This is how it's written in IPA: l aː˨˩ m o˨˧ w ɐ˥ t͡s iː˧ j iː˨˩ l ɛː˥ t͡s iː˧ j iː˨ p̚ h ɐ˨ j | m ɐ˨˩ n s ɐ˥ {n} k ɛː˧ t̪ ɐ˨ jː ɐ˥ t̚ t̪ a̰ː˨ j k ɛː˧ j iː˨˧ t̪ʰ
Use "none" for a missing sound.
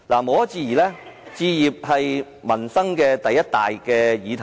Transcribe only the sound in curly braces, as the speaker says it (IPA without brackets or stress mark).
ŋ